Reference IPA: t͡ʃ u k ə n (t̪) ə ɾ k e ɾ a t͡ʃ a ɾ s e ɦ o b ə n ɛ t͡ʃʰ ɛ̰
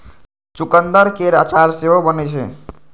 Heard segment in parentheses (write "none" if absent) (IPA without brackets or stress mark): d̪